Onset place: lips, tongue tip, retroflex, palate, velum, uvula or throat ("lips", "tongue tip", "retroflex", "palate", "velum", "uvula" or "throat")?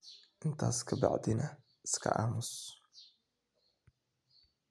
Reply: throat